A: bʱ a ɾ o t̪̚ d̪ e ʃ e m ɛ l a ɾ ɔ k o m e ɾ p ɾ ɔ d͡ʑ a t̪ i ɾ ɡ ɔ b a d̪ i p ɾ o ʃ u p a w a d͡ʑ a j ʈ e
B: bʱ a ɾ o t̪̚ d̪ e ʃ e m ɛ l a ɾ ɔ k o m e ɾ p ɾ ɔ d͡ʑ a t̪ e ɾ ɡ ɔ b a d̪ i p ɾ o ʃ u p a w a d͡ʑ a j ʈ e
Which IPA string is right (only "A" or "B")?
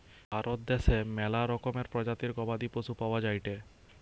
A